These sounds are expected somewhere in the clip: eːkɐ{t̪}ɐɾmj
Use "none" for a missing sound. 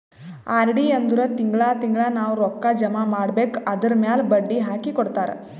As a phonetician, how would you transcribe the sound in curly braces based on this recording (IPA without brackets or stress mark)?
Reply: d̪